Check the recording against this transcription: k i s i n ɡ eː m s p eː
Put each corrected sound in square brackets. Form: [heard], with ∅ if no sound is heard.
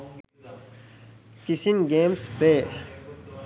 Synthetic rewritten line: k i s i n ɡ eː m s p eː